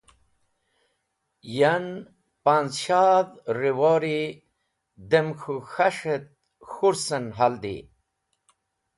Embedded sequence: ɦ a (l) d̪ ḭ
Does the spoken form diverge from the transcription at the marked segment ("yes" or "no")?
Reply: no